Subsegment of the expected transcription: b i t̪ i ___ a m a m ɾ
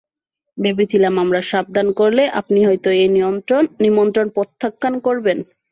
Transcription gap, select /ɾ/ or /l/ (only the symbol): l